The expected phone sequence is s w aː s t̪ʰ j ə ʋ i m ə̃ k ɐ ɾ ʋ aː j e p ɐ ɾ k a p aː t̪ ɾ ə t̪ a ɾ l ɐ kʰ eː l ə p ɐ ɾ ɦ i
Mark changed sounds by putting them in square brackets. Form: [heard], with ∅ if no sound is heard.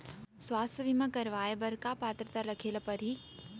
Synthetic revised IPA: s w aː s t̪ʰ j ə ʋ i m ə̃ k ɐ ɾ ʋ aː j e [b] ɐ ɾ k a p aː t̪ ɾ ə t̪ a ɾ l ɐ kʰ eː l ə p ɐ ɾ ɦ i